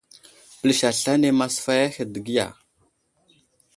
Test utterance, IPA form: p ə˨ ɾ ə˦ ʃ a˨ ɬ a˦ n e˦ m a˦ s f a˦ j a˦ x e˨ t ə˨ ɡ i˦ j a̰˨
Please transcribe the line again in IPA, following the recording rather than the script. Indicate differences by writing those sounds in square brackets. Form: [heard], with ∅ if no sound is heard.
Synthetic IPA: p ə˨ [l] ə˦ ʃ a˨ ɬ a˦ n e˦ m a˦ s f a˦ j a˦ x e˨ [d] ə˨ ɡ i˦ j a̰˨